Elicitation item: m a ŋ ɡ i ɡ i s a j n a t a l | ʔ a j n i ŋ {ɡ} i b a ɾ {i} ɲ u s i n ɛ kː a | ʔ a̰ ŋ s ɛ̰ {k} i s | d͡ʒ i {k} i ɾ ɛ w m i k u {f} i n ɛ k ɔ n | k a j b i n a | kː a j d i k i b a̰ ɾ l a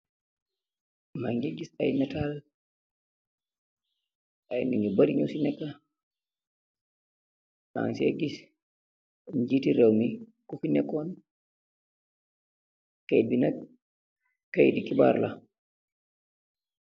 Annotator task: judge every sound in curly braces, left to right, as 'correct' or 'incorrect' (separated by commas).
correct, correct, incorrect, incorrect, correct